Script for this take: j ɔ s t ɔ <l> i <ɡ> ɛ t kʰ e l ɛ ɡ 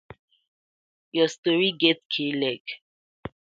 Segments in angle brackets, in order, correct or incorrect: incorrect: ɹ, correct

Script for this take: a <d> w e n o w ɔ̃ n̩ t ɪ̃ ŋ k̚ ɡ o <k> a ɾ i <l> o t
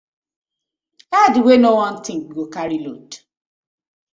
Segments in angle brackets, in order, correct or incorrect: correct, correct, correct

